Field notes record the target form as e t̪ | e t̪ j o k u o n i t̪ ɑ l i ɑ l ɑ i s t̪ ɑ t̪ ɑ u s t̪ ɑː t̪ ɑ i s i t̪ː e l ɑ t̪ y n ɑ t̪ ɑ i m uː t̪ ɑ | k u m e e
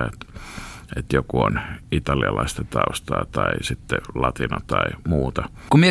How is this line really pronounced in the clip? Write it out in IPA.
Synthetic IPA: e t̪ | e t̪ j o k u o n i t̪ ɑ l i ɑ l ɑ i s t̪ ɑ t̪ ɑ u s t̪ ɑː t̪ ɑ i s i t̪ː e l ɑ t̪ i n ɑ t̪ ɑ i m uː t̪ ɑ | k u m i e